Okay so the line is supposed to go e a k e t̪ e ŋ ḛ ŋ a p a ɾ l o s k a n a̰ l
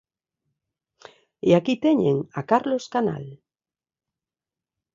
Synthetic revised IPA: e a k i t̪ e ɲ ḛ ŋ a k a ɾ l o s k a n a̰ l